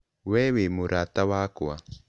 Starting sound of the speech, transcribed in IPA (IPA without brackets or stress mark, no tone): w